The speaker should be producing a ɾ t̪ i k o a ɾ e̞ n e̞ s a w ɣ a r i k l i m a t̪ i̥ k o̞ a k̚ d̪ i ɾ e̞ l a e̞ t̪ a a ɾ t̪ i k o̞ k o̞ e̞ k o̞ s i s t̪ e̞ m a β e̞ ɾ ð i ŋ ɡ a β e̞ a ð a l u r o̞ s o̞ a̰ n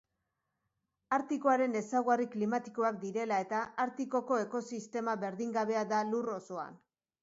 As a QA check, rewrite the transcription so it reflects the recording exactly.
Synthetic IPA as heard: a ɾ t̪ i k o a ɾ e̞ n e̞ s a w ɣ a r i k l i m a t̪ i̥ k o̞ a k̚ d̪ i ɾ e̞ l a e̞ t̪ a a ɾ t̪ i k o̞ k o̞ e̞ k o̞ s i s t̪ e̞ m a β e̞ ɾ ð i ŋ ɡ a β e̞ a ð a l u r o̞ s o̞ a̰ n